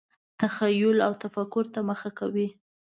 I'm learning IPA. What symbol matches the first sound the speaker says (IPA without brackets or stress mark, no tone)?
t̪